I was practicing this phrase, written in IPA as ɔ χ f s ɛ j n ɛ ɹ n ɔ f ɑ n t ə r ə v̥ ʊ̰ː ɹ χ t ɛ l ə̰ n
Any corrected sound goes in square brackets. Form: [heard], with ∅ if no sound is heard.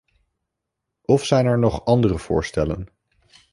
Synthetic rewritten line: ɔ [∅] f s ɛ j n ɛ ɹ n ɔ [χ] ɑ n [d] ə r ə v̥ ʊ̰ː ɹ [s] t ɛ l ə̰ n